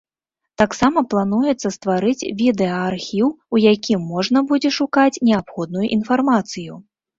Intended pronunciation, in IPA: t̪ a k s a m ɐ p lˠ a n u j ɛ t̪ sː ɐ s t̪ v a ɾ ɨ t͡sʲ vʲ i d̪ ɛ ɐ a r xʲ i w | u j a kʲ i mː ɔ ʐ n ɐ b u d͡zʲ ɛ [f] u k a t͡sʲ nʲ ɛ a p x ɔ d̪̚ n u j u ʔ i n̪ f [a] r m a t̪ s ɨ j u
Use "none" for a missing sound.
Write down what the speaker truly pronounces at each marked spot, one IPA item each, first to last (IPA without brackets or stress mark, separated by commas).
ʂ, a